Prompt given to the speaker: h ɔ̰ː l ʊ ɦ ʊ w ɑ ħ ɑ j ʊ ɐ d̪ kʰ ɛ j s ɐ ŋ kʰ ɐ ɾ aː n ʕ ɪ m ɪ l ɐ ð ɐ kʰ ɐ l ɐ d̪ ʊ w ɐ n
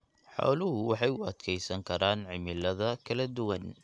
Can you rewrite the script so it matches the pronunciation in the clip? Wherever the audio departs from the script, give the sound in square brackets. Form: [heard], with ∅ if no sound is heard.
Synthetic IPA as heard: [ħ] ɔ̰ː l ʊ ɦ ʊ w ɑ ħ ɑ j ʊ ɐ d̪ kʰ ɛ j s ɐ ŋ kʰ ɐ ɾ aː n ʕ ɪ m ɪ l ɐ ð ɐ kʰ ɐ l ɐ d̪ ʊ w ɐ n

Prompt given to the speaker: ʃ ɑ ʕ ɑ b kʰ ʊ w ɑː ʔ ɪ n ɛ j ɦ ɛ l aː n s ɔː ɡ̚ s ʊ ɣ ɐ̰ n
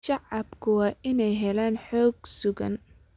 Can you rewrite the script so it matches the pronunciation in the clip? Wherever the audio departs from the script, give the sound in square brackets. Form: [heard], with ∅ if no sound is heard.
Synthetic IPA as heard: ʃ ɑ ʕ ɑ b kʰ ʊ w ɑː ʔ ɪ n ɛ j ɦ ɛ l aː n [ħ] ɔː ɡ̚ s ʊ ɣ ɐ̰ n

